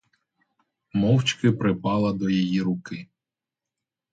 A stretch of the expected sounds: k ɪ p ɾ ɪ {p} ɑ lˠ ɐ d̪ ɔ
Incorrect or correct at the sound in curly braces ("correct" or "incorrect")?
correct